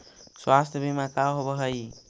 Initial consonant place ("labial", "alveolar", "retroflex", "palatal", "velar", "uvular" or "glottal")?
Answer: alveolar